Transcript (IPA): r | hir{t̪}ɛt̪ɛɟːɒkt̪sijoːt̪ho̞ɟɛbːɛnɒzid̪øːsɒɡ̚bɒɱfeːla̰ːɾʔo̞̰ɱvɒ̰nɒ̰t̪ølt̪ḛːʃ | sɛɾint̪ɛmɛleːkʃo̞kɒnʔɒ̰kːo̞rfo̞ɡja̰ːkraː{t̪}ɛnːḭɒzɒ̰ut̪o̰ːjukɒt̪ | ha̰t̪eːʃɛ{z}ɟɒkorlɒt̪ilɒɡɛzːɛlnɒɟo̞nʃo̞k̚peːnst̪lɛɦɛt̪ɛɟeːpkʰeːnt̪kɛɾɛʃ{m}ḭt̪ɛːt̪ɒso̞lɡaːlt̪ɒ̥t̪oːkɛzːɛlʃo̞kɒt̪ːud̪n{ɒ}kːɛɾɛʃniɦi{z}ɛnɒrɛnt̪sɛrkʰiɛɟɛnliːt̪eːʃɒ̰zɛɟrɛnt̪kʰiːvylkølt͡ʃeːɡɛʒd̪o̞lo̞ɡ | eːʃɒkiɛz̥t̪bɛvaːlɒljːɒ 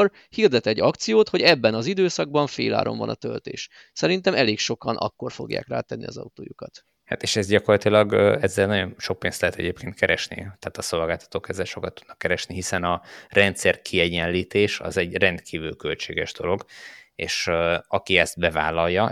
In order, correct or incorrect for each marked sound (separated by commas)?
incorrect, correct, correct, incorrect, correct, incorrect